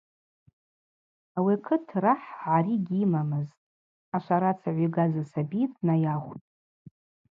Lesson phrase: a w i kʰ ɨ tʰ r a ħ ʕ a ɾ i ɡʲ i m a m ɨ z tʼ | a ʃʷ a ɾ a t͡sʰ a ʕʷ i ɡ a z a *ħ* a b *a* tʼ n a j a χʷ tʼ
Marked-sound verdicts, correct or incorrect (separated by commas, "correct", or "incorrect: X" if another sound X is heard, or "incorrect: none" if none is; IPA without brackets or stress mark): incorrect: s, incorrect: i